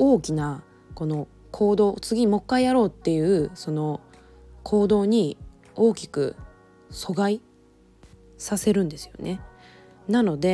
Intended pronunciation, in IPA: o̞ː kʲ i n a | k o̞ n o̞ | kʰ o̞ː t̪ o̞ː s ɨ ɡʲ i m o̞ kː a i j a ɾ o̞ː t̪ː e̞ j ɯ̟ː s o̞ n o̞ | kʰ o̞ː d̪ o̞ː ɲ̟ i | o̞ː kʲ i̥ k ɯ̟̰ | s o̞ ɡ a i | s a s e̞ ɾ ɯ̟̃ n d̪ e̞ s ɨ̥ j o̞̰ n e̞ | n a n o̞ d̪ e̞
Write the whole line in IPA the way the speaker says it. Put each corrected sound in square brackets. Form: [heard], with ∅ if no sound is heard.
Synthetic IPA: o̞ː kʲ i n a | k o̞ n o̞ | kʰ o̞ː [d̪] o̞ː [t͡s] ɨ ɡʲ i m o̞ kː a i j a ɾ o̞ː t̪ː e̞ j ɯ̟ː s o̞ n o̞ | kʰ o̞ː d̪ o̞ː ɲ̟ i | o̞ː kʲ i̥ k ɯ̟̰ | s o̞ ɡ a i | s a s e̞ ɾ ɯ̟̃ n d̪ e̞ s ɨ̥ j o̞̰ n e̞ | n a n o̞ d̪ e̞